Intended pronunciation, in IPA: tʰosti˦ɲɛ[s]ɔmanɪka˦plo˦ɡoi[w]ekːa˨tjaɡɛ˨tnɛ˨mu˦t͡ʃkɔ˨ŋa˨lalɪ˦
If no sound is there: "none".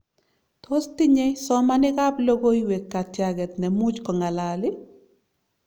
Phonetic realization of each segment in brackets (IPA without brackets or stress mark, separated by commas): s, w